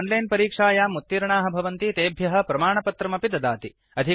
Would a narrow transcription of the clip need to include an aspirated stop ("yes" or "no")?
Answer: no